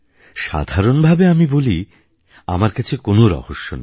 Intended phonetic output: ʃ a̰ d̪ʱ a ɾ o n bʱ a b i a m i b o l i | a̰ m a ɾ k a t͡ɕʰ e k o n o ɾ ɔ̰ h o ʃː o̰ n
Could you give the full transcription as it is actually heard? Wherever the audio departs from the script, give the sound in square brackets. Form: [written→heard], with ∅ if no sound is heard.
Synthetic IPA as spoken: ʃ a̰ d̪ʱ a ɾ o n bʱ a b [i→e] a m i b o l i | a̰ m a ɾ k a t͡ɕʰ e k o n o ɾ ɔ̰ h o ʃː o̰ n